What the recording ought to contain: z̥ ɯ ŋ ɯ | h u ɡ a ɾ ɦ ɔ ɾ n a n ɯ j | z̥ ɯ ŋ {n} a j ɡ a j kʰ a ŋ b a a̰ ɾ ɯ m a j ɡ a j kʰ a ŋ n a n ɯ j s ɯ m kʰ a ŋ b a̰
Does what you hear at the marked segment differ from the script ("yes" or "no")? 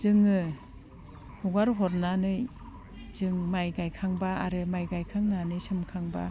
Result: yes